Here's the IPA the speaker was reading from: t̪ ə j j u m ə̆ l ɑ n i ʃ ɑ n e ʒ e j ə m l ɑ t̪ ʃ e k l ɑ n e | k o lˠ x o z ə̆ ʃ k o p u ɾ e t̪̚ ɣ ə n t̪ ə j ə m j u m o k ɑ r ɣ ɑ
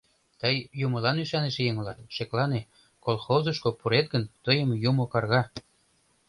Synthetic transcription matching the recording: t̪ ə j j u m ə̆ l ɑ n y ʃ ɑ n e ʃ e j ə ŋ l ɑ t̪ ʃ e k l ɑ n e | k o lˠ x o z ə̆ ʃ k o p u ɾ e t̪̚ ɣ ə n t̪ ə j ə m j u m o k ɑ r ɣ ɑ